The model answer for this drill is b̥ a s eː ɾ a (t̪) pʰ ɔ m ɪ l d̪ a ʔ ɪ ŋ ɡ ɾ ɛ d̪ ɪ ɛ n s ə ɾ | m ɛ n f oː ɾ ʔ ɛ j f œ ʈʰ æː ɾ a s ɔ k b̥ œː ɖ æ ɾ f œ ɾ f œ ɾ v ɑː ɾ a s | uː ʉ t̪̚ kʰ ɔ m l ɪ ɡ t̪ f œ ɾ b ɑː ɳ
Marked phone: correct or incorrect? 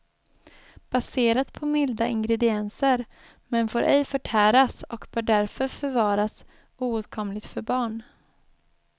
correct